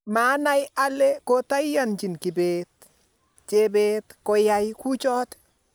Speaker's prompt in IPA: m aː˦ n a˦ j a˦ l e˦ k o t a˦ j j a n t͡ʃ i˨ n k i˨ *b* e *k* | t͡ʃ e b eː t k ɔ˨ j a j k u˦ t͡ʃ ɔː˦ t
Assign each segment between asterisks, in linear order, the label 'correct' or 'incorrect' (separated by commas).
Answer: correct, incorrect